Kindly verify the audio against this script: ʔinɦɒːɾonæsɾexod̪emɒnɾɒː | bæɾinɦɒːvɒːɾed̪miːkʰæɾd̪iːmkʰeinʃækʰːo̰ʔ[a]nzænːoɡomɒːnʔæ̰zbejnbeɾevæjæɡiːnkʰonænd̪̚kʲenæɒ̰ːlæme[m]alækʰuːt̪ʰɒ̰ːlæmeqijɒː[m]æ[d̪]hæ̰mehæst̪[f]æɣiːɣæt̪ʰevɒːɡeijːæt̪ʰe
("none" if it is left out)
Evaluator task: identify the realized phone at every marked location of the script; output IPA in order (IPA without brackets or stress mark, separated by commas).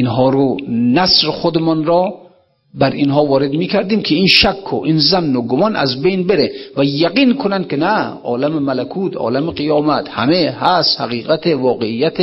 i, m, m, t̪, h